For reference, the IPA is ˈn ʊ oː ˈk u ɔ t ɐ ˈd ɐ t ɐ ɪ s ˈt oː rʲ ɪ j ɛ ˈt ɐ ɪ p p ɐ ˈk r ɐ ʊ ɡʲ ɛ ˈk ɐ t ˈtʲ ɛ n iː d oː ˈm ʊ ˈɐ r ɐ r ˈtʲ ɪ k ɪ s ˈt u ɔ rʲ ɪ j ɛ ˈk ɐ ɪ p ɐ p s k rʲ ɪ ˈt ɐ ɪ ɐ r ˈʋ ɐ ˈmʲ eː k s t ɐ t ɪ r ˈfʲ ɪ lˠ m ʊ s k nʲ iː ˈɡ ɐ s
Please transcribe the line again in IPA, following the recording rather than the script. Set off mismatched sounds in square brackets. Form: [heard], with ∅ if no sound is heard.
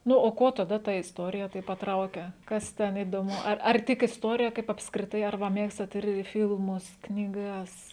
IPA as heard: ˈn ʊ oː ˈk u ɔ t ɐ ˈd ɐ t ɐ ɪ s ˈt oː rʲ ɪ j ɛ ˈt ɐ ɪ p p ɐ [ˈt] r ɐ ʊ [kʲ] ɛ ˈk ɐ [s] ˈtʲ ɛ n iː d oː ˈm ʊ ˈɐ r ɐ r ˈtʲ ɪ k ɪ s ˈt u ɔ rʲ ɪ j ɛ ˈk ɐ ɪ p ɐ p s k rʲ ɪ ˈt ɐ ɪ ɐ r ˈʋ ɐ ˈmʲ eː k s t ɐ t ɪ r ˈfʲ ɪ lˠ m ʊ s k nʲ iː ˈɡ ɐ s

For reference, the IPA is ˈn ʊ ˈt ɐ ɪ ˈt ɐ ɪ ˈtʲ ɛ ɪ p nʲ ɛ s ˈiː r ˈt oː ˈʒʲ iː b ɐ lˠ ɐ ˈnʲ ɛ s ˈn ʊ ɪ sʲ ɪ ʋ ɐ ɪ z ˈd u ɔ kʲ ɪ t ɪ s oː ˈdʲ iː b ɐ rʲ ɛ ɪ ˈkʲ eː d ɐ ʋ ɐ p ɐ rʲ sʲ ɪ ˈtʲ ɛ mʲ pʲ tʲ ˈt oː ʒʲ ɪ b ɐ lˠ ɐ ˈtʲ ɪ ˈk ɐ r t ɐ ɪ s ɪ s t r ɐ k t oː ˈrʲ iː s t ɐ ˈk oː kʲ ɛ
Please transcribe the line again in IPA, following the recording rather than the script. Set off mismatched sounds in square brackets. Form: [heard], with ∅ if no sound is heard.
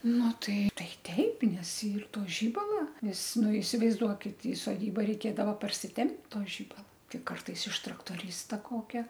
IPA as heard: ˈn ʊ ˈt ɐ ɪ ˈt ɐ ɪ ˈtʲ ɛ ɪ p nʲ ɛ s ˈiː r ˈt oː ˈʒʲ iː b ɐ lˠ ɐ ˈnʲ ɛ s ˈn ʊ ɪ sʲ ɪ ʋ ɐ ɪ z ˈd u ɔ kʲ ɪ t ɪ s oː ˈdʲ iː b ɐ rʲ ɛ ɪ ˈkʲ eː d ɐ ʋ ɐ p ɐ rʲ sʲ ɪ ˈtʲ ɛ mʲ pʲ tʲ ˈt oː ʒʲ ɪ b ɐ lˠ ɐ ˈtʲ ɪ ˈk ɐ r t ɐ ɪ s ɪ [ʃ] t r ɐ k t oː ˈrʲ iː s t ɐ ˈk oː kʲ ɛ

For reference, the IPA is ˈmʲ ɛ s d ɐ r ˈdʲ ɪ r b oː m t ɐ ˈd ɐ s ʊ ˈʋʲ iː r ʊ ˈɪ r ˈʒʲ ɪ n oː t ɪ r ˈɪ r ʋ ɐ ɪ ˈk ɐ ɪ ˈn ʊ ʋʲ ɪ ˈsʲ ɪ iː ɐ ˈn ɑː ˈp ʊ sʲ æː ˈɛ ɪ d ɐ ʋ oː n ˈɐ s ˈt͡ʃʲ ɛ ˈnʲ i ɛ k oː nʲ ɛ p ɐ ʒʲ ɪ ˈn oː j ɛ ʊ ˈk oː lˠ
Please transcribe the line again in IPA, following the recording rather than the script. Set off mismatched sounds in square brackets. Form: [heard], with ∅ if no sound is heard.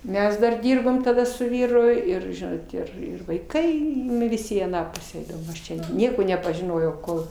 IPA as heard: ˈmʲ ɛ s d ɐ r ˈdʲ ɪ r b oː m t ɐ ˈd ɐ s ʊ ˈʋʲ iː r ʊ ˈɪ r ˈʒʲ ɪ n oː t ɪ r ˈɪ r ʋ ɐ ɪ ˈk ɐ ɪ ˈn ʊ ʋʲ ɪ ˈsʲ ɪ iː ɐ ˈn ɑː ˈp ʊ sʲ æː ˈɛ ɪ d ɐ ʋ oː [m] ˈɐ [ʃ] ˈt͡ʃʲ ɛ ˈnʲ i ɛ k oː nʲ ɛ p ɐ ʒʲ ɪ ˈn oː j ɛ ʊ ˈk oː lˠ

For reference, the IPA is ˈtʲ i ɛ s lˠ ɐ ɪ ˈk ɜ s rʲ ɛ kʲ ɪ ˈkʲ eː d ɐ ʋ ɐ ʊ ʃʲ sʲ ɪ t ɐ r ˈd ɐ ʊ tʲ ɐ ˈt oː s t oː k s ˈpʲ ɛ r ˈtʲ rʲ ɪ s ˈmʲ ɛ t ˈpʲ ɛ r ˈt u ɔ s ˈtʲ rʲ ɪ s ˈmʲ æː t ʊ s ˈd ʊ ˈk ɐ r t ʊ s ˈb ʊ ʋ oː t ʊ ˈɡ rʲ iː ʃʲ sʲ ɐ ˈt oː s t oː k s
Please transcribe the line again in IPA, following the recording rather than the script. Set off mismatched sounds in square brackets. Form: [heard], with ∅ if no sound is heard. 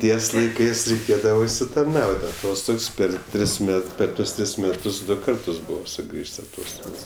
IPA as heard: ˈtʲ i ɛ s lˠ ɐ ɪ ˈk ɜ s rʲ ɛ [∅] ɪ ˈkʲ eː d ɐ ʋ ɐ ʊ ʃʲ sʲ ɪ t ɐ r [ˈn] ɐ ʊ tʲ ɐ ˈt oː s t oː k s ˈpʲ ɛ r ˈtʲ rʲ ɪ s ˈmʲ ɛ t ˈpʲ ɛ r ˈt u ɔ s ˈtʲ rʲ ɪ s ˈmʲ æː t ʊ s ˈd ʊ ˈk ɐ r t ʊ s ˈb ʊ ʋ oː [s] ʊ ˈɡ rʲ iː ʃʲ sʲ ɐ ˈt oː s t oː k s

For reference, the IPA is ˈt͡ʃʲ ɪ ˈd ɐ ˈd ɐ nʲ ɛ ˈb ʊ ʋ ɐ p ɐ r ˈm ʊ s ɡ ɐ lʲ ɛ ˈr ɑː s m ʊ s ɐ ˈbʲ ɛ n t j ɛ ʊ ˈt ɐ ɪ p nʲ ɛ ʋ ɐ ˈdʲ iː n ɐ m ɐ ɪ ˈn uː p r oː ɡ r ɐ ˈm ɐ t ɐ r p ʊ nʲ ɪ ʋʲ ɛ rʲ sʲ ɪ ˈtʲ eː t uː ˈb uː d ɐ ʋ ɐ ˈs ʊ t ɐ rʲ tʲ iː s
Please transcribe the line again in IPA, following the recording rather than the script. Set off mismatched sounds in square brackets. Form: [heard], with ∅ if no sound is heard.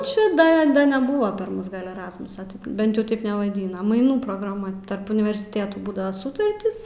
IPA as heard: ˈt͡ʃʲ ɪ ˈd ɐ ˈd ɐ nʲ ɛ ˈb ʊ ʋ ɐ p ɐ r ˈm ʊ s ɡ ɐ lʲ ɛ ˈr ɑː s m ʊ s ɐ ˈbʲ ɛ n t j ɛ ʊ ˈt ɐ ɪ p nʲ ɛ ʋ ɐ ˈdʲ iː n ɐ m ɐ ɪ ˈn uː p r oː ɡ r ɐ ˈm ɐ t ɐ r p ʊ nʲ ɪ ʋʲ ɛ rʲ sʲ ɪ ˈtʲ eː t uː ˈb uː d ɐ ʋ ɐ ˈs ʊ t ɐ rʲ tʲ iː s

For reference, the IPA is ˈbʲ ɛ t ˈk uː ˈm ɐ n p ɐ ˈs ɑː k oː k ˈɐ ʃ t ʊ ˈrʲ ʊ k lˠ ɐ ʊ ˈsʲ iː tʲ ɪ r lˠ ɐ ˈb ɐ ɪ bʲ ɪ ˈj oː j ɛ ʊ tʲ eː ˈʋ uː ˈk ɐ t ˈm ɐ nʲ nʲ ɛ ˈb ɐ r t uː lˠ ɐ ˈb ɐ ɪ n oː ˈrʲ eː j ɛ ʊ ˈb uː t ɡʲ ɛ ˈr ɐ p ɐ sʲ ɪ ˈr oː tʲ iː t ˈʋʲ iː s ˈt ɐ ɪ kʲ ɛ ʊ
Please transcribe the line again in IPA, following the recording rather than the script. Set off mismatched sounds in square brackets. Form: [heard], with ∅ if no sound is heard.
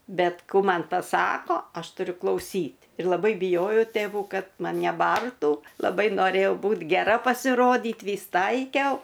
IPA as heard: ˈbʲ ɛ t ˈk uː ˈm ɐ n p ɐ ˈs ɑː k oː [∅] ˈɐ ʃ t ʊ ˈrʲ ʊ k lˠ ɐ ʊ ˈsʲ iː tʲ ɪ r lˠ ɐ ˈb ɐ ɪ bʲ ɪ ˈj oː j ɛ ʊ tʲ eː ˈʋ uː ˈk ɐ t ˈm ɐ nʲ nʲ ɛ ˈb ɐ r t uː lˠ ɐ ˈb ɐ ɪ n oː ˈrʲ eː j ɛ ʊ ˈb uː t ɡʲ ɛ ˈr ɐ p ɐ sʲ ɪ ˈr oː [dʲ] iː t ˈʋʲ iː s ˈt ɐ ɪ kʲ ɛ ʊ

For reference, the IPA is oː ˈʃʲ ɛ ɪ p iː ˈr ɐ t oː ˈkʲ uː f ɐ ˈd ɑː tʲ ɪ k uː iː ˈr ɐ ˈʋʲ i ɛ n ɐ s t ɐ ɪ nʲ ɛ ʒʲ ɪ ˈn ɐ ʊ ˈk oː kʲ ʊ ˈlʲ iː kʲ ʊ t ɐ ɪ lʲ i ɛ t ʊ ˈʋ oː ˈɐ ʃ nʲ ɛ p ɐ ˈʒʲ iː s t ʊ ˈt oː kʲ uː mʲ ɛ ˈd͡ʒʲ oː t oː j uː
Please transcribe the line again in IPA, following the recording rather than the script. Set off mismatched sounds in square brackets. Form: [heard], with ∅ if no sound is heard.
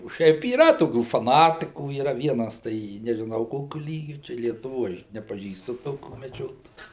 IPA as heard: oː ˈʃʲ ɛ ɪ p iː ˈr ɐ t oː ˈkʲ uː f ɐ [ˈn] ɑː tʲ ɪ k uː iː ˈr ɐ ˈʋʲ i ɛ n ɐ s t ɐ ɪ nʲ ɛ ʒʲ ɪ ˈn ɐ ʊ ˈk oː kʲ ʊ ˈlʲ iː [ɡʲ] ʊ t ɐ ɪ lʲ i ɛ t ʊ ˈʋ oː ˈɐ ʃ nʲ ɛ p ɐ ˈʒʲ iː s t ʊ ˈt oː kʲ uː mʲ ɛ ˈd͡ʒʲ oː t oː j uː

